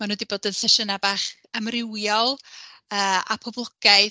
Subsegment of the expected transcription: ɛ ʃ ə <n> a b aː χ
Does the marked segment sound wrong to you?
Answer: no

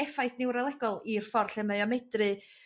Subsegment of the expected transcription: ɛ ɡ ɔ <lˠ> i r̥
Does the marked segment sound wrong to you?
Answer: no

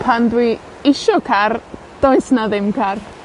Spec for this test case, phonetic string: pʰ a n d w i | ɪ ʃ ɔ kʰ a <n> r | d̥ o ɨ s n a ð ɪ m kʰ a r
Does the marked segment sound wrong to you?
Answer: yes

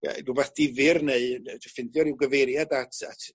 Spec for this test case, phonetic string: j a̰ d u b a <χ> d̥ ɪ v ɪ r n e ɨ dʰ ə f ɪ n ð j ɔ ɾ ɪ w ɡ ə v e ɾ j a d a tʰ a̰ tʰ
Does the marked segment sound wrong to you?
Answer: yes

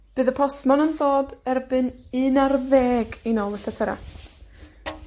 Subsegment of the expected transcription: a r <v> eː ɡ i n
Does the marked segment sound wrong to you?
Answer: yes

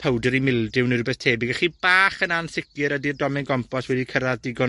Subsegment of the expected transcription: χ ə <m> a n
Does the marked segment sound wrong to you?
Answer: yes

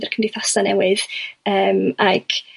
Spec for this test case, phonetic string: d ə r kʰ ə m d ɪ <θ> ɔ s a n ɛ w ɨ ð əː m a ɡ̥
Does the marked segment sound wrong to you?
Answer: no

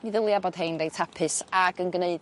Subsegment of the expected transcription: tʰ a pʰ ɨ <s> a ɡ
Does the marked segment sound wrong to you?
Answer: no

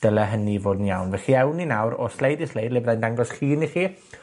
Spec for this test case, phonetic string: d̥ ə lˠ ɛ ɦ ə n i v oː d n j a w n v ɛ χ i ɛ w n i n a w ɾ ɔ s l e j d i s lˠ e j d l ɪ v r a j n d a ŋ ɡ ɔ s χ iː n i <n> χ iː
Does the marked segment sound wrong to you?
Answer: yes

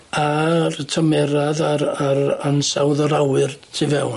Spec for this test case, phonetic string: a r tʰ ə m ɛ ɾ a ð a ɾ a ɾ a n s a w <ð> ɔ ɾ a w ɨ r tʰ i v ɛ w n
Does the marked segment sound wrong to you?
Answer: no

